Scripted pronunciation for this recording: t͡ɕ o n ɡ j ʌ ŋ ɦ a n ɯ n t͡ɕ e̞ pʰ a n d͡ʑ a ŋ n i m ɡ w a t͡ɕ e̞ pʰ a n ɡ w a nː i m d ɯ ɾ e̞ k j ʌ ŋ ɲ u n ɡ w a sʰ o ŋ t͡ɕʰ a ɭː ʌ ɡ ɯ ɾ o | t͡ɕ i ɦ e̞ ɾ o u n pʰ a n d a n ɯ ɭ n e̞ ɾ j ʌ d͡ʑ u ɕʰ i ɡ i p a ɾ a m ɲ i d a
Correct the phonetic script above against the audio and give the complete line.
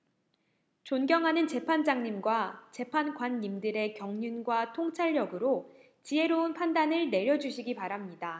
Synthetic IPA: t͡ɕ o n ɡ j ʌ ŋ ɦ a n ɯ n t͡ɕ e̞ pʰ a n d͡ʑ a ŋ ɲ i m ɡ w a t͡ɕ e̞ pʰ a n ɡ w a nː i m d ɯ ɾ e̞ k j ʌ ŋ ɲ u n ɡ w a tʰ o ŋ t͡ɕʰ a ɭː ʌ ɡ ɯ ɾ o | t͡ɕ i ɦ e̞ ɾ o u n pʰ a n d a n ɯ ɭ n e̞ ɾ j ʌ d͡ʑ u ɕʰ i ɡ i p a ɾ a m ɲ i d a